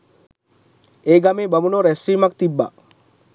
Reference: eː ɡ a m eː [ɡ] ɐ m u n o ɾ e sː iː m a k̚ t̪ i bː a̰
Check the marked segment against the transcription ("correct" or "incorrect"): incorrect